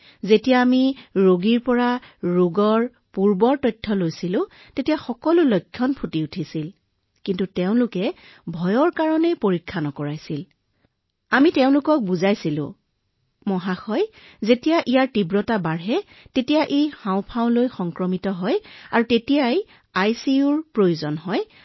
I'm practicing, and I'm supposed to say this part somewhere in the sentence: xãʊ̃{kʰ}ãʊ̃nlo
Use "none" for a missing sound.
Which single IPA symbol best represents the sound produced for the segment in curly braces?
pʰ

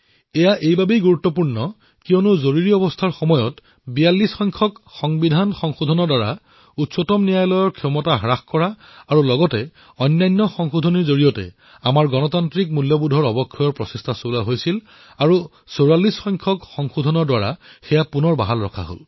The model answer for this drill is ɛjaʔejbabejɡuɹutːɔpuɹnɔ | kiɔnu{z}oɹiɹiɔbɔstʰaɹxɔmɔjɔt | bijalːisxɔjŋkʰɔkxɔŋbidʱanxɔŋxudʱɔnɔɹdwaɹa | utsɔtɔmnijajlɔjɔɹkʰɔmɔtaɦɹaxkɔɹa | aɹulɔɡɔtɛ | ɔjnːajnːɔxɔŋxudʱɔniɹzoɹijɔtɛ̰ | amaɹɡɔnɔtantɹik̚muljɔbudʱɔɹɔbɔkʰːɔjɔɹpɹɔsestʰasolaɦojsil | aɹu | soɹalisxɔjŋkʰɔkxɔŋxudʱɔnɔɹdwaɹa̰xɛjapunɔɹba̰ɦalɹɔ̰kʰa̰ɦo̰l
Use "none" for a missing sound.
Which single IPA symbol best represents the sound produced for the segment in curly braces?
z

